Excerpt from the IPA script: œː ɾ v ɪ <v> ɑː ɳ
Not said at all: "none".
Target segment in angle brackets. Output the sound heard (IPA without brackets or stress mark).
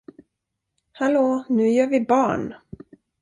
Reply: b